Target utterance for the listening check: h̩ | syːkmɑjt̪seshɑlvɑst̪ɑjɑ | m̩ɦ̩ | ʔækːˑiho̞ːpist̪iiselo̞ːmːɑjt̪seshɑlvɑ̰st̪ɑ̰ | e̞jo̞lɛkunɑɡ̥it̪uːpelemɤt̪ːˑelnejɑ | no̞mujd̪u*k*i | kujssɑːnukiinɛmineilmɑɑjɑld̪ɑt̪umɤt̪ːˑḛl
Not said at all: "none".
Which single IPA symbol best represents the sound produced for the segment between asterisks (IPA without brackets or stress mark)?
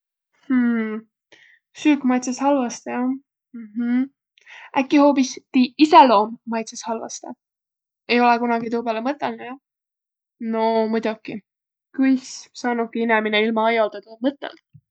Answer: k